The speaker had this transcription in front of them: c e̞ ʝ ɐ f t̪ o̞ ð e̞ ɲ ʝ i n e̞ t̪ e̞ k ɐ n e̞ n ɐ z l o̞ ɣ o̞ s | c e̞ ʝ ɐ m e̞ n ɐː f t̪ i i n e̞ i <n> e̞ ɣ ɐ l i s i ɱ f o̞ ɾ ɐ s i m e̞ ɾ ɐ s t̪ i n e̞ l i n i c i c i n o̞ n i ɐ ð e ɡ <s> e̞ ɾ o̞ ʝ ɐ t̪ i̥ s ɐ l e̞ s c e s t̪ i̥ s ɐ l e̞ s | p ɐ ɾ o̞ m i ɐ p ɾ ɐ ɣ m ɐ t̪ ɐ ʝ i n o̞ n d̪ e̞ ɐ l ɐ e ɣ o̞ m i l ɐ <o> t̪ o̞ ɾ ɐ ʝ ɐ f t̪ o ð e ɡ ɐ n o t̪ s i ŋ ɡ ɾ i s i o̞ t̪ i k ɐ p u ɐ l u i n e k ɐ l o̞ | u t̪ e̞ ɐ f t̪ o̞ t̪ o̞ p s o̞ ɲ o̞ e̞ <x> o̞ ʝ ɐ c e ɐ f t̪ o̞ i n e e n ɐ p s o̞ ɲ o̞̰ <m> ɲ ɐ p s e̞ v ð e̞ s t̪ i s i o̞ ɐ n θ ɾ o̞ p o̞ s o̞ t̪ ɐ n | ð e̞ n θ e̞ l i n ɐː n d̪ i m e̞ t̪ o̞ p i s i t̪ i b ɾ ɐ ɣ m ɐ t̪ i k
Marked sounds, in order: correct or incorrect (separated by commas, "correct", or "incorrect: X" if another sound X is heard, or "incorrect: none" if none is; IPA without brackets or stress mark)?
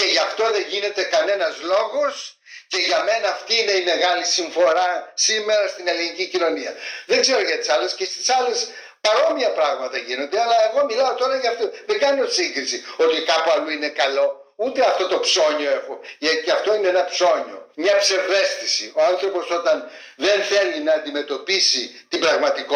incorrect: m, incorrect: z, correct, correct, correct